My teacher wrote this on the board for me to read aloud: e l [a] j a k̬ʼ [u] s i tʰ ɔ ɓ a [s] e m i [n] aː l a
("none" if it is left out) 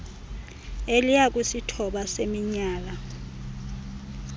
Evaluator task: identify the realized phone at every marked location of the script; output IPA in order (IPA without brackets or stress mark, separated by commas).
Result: i, u, s, ɲ